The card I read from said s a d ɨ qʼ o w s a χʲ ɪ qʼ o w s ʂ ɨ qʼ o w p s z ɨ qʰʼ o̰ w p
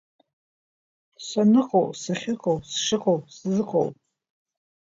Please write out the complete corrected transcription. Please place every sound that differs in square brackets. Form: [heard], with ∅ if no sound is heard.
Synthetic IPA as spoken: s a [n] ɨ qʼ o w s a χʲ ɪ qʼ o w s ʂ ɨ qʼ o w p s z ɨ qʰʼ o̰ w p